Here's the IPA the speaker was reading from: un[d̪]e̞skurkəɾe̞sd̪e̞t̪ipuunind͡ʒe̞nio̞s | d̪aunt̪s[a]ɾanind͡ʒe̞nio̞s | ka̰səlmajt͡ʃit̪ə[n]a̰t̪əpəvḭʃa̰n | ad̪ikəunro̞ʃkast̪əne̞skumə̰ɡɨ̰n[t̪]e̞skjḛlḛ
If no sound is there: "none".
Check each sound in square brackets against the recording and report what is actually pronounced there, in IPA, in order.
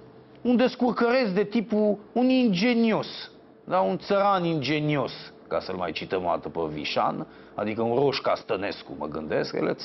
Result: d̪, ə, m, d̪

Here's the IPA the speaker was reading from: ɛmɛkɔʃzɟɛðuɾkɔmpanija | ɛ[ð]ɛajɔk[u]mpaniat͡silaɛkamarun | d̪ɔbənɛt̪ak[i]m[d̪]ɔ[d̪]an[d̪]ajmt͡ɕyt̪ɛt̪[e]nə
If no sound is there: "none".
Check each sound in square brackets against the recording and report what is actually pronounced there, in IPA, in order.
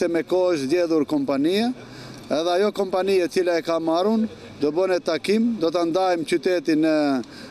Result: ð, ɔ, i, d̪, t̪, d̪, i

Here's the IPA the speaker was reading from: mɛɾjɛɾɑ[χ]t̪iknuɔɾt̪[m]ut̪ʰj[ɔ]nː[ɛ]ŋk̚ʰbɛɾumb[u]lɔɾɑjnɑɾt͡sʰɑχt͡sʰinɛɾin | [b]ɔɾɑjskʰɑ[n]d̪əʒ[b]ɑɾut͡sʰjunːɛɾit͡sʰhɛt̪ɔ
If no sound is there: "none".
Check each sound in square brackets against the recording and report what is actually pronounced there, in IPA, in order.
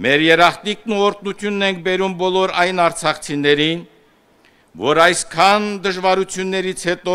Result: χ, n, u, ɛ, ɔ, v, n, v

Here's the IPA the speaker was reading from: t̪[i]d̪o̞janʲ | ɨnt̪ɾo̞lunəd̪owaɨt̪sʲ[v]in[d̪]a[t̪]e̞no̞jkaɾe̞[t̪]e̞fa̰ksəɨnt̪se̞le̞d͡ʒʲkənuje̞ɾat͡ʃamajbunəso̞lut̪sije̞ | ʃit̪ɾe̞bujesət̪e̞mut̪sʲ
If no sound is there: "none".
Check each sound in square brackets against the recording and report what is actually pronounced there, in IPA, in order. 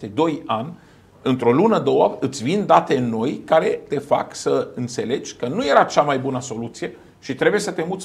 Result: e, v, d̪, t̪, t̪

